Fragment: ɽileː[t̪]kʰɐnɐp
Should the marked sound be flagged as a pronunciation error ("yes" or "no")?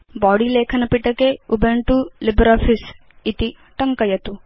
yes